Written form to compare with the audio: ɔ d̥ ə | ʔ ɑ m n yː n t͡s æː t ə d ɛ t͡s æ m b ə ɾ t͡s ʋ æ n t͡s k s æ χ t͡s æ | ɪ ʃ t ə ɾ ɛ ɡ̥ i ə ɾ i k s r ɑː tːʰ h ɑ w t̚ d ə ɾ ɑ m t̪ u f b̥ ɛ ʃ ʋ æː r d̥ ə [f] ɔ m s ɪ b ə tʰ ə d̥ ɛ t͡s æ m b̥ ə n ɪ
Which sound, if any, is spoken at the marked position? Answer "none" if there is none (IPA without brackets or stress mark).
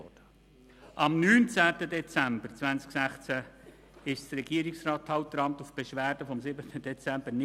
f